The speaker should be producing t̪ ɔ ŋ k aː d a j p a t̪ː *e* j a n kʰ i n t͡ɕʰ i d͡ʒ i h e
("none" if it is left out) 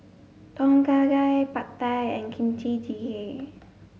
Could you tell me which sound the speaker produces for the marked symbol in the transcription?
a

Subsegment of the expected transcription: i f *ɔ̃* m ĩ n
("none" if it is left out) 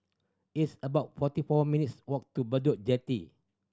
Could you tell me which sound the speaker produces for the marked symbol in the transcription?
ɔ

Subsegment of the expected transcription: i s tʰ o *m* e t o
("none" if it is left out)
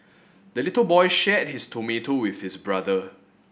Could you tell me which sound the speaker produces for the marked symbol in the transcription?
m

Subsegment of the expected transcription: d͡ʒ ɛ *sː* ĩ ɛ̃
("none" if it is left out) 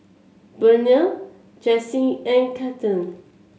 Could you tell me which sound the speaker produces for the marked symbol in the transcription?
s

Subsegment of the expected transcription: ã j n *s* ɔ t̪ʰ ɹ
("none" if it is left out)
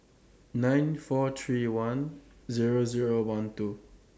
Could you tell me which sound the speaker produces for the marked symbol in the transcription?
f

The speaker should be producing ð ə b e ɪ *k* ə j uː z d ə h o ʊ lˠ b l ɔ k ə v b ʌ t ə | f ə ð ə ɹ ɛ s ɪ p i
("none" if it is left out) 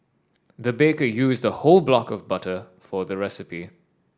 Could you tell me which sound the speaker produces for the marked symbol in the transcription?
k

